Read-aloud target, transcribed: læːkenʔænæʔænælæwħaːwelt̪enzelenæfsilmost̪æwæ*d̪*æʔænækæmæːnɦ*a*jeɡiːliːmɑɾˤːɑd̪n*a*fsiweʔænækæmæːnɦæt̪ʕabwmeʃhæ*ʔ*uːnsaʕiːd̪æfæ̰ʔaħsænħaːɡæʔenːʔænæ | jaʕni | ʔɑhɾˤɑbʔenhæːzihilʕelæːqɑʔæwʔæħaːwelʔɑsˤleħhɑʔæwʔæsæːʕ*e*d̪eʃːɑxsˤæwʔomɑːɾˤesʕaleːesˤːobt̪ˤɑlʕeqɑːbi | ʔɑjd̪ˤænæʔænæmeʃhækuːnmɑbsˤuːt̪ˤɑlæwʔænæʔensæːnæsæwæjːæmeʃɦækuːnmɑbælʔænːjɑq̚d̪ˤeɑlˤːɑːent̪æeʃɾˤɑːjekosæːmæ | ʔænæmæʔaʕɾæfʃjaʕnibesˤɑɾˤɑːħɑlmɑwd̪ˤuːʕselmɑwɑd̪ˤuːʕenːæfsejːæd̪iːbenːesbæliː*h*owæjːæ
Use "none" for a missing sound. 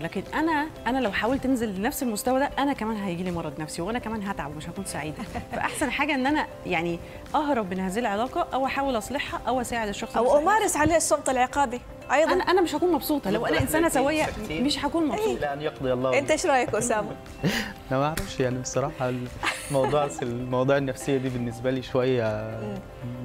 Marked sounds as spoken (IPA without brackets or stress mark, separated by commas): d̪, æ, æ, k, e, ʃ